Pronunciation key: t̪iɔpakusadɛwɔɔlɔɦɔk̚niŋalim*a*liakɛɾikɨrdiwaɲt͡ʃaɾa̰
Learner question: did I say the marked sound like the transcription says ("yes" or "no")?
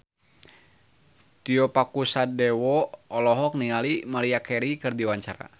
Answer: yes